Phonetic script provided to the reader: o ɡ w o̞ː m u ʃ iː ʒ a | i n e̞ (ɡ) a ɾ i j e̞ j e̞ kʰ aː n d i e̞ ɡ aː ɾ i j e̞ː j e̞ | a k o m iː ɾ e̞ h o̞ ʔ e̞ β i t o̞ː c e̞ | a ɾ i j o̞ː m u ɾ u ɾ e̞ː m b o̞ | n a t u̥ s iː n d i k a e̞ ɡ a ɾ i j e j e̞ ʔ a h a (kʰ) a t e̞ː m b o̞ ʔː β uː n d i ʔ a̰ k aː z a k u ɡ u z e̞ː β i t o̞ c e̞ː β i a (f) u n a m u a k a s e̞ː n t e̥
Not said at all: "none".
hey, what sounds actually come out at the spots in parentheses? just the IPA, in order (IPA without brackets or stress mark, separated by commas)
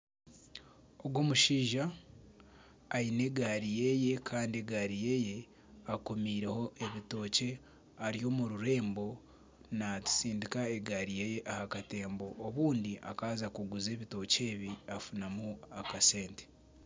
ɡ, k, f